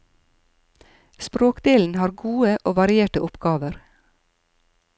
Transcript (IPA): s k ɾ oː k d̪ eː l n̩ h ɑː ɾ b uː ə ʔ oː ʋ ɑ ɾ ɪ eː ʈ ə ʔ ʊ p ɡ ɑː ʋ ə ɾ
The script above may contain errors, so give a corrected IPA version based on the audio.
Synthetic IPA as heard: s p ɾ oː k d̪ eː l n̩ h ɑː ɾ ɡ uː ə ʔ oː ʋ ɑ ɾ ɪ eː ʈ ə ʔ ʊ p ɡ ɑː ʋ ə ɾ